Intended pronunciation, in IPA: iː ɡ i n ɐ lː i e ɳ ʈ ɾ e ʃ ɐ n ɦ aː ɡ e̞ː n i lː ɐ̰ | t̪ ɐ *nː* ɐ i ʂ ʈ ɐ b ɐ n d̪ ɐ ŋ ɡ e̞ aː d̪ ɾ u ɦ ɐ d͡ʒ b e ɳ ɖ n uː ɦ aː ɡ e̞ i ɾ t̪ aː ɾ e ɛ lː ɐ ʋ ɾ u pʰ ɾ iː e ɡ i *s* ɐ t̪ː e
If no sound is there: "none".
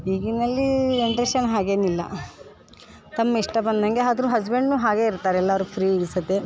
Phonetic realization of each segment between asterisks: mː, s

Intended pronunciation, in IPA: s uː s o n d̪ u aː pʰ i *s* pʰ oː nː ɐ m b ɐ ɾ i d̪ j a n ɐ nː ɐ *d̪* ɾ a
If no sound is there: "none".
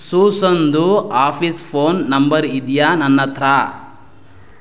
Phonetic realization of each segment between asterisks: s, t̪

